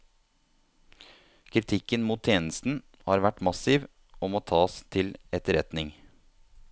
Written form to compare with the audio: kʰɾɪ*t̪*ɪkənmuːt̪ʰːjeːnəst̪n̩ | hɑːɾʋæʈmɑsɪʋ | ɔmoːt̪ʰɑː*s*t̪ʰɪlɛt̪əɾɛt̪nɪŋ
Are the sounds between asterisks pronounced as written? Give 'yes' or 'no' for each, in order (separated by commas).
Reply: no, yes